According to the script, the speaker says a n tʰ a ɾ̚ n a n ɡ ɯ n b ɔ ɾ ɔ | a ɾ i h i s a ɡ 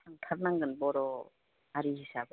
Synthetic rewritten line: a ŋ tʰ a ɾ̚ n a ŋ ɡ ɯ n b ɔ ɾ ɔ | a ɾ i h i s a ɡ